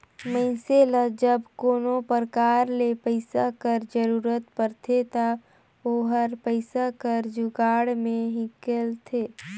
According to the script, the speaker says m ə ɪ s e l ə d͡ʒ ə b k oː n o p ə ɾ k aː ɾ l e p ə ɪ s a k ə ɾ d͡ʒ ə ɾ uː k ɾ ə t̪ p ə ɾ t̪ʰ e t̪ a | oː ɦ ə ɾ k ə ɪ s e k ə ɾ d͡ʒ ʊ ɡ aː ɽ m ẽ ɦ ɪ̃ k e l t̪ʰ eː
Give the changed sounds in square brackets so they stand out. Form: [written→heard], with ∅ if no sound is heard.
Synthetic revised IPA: m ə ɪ s e l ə d͡ʒ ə b k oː n o p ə ɾ k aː ɾ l e p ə ɪ s a k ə ɾ d͡ʒ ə ɾ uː [k→∅] ɾ ə t̪ p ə ɾ t̪ʰ e t̪ a | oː ɦ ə ɾ [k→p] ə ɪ s [e→a] k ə ɾ d͡ʒ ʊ ɡ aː ɽ m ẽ ɦ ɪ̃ k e l t̪ʰ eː

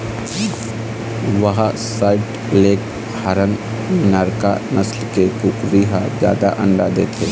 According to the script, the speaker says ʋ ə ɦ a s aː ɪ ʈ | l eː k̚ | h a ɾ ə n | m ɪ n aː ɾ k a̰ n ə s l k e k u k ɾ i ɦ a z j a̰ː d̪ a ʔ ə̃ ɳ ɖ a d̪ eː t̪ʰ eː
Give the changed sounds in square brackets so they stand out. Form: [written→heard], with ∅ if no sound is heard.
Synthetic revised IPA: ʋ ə ɦ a s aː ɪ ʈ | l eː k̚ | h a ɾ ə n | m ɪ n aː ɾ k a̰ n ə s l k e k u k ɾ i ɦ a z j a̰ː d̪ a ʔ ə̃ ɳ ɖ a d̪ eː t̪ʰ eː

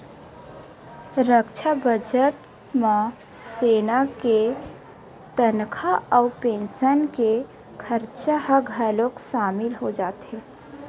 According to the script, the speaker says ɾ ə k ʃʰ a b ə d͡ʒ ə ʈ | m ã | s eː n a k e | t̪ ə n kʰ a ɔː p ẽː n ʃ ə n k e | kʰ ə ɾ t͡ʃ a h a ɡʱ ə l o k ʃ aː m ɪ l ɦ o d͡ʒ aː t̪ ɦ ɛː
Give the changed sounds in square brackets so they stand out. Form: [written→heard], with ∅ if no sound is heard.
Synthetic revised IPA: ɾ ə k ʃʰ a b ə d͡ʒ ə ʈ | m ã | s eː n a k e | t̪ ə n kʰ a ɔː p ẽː n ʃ ə n k e | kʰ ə ɾ t͡ʃ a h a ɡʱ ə l o k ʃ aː m ɪ l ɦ o d͡ʒ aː t̪ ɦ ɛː

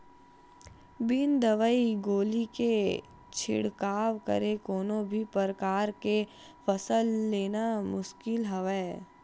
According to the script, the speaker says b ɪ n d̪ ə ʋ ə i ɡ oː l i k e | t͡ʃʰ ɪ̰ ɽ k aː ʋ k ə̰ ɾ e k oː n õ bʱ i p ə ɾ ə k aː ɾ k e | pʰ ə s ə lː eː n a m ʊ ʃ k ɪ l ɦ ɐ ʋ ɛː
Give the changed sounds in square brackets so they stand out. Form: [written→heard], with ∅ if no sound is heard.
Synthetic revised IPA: b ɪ n d̪ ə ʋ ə i ɡ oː l i k e | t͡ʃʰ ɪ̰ ɽ k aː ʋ k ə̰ ɾ e k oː n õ bʱ i p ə ɾ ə k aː ɾ k e | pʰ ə s ə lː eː n a m ʊ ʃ k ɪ l ɦ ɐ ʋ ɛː

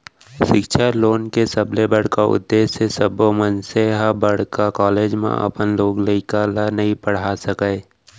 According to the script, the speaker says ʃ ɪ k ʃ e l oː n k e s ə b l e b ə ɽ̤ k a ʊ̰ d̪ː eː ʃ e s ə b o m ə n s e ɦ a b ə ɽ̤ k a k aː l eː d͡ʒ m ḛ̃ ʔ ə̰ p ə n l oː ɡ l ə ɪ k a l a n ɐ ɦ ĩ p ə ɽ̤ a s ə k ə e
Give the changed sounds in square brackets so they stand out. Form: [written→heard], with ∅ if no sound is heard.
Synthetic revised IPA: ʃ ɪ k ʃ [e→a] l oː n k e s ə b l e b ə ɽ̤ k a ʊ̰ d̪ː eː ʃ e s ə b o m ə n s e ɦ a b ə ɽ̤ k a k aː l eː d͡ʒ m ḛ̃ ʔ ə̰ p ə n l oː ɡ l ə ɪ k a l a n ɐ ɦ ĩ p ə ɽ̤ a s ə k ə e

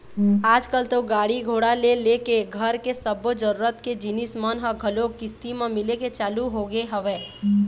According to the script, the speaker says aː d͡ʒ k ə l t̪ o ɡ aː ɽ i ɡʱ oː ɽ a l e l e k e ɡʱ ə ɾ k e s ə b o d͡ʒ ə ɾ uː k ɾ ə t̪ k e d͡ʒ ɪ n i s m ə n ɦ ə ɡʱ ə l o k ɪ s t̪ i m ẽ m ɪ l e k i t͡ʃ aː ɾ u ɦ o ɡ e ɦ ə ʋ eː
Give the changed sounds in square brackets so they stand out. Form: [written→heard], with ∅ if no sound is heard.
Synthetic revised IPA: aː d͡ʒ k ə l t̪ o ɡ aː ɽ i ɡʱ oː ɽ a l e l e k e ɡʱ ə ɾ k e s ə b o d͡ʒ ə ɾ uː [k→∅] ɾ ə t̪ k e d͡ʒ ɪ n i s m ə n ɦ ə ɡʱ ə l o k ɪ s t̪ i m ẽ m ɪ l e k [i→e] t͡ʃ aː [ɾ→l] u ɦ o ɡ e ɦ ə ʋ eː

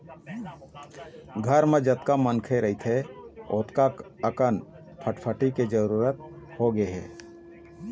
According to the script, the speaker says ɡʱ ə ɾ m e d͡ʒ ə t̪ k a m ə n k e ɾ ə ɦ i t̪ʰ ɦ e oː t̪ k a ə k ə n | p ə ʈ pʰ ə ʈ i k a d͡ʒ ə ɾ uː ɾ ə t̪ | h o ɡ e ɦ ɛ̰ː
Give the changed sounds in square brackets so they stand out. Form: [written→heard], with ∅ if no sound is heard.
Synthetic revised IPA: ɡʱ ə ɾ m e d͡ʒ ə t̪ k a m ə n [k→kʰ] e ɾ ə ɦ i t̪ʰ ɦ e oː t̪ k a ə k ə n | [p→pʰ] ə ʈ pʰ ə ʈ i k [a→e] d͡ʒ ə ɾ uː ɾ ə t̪ | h o ɡ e ɦ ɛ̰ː

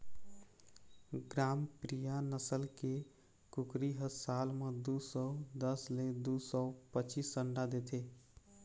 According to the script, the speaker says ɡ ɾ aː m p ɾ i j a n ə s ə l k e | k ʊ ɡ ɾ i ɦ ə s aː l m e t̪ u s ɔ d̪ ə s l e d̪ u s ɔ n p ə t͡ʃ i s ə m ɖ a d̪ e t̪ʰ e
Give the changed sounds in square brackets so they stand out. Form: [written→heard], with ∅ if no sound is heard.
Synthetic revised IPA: ɡ ɾ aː m p ɾ i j a n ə s ə l k e | k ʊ [ɡ→k] ɾ i ɦ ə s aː l m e [t̪→d̪] u s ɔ d̪ ə s l e d̪ u s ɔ [n→∅] p ə t͡ʃ i s ə [m→ɳ] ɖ a d̪ e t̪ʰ e

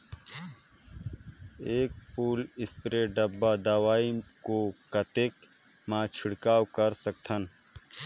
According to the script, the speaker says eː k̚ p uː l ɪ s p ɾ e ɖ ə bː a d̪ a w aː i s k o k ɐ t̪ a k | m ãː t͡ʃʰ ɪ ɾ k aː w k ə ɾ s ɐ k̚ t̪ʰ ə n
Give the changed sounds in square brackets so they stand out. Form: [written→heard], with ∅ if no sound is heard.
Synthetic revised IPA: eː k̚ p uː l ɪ s p ɾ e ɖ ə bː a d̪ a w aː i [s→∅] k o k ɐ t̪ [a→e] k | m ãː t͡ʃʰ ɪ [ɾ→ɽ] k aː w k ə ɾ s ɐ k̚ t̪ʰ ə n

